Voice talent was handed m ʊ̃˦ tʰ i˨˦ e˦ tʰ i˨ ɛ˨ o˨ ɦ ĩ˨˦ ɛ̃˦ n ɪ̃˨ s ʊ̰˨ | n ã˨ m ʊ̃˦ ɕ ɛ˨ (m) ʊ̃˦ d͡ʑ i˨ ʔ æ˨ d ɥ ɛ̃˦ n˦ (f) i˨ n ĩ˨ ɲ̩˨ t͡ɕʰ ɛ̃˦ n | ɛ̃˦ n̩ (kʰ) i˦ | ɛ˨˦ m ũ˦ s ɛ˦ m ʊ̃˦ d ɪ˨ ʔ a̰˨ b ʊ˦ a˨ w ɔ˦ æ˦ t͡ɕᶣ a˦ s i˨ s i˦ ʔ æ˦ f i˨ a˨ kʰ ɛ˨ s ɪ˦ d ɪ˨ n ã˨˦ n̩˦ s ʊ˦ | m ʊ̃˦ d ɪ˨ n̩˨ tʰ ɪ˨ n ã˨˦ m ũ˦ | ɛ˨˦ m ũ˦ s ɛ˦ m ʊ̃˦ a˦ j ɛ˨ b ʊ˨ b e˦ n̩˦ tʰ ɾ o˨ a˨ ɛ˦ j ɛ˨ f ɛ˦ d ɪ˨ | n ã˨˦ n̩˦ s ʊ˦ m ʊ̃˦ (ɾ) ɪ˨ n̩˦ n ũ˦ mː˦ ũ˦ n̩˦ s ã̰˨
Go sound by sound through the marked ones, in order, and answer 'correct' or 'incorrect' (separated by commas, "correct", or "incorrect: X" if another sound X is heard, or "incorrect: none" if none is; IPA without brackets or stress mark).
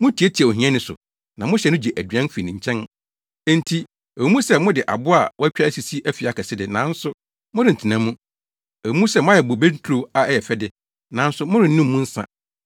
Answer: incorrect: n, correct, incorrect: tʰ, correct